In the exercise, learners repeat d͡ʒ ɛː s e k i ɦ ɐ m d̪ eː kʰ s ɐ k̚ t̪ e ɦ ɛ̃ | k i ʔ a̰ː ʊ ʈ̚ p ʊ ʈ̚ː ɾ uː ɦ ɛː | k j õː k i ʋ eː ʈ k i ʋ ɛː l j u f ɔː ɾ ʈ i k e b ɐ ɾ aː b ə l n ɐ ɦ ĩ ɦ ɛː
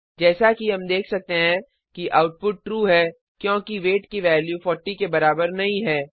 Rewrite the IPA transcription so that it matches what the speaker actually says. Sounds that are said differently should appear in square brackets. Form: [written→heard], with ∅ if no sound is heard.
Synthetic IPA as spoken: d͡ʒ ɛː s [e→a] k i ɦ ɐ m d̪ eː kʰ s ɐ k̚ t̪ e ɦ ɛ̃ | k i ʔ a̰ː ʊ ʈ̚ p ʊ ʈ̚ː ɾ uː ɦ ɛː | k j õː k i ʋ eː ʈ k i ʋ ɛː l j u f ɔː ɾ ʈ i k e b ɐ ɾ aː b ə [l→ɾ] n ɐ ɦ ĩ ɦ ɛː